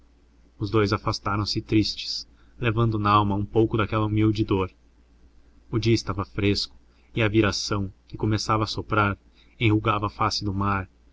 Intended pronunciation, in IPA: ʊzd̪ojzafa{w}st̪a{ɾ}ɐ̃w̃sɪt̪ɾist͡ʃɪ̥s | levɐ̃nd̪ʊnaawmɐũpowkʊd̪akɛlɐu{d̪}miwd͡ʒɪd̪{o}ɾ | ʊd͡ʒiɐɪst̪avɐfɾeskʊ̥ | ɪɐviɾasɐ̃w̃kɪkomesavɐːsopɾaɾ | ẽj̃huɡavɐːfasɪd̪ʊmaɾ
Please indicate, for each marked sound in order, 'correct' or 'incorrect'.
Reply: incorrect: none, correct, incorrect: none, correct

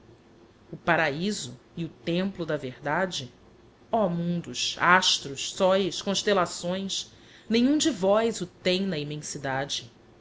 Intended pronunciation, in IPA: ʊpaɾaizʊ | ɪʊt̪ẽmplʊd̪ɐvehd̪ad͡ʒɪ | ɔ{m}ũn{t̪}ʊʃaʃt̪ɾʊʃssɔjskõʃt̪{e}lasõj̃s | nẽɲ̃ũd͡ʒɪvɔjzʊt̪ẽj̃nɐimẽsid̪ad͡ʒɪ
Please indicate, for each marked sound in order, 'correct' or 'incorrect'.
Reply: correct, incorrect: d̪, correct

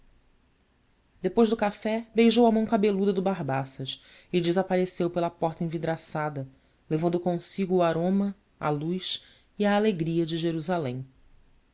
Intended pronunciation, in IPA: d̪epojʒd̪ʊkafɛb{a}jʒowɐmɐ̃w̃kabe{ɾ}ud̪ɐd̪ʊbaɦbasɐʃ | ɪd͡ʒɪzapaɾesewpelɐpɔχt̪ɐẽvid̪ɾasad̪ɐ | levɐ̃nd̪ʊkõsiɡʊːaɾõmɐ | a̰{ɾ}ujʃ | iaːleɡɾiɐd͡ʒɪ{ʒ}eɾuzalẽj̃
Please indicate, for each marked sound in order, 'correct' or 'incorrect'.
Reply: incorrect: e, incorrect: l, incorrect: l, correct

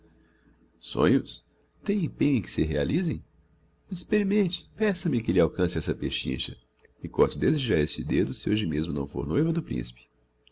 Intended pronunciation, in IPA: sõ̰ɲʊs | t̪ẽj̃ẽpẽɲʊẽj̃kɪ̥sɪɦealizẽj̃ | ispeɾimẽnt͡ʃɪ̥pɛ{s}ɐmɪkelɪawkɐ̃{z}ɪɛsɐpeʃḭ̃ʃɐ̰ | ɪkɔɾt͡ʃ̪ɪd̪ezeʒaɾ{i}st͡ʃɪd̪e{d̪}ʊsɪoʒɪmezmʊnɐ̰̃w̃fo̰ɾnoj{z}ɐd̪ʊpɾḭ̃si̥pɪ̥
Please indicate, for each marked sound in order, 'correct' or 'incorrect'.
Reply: correct, incorrect: s, incorrect: e, correct, incorrect: v

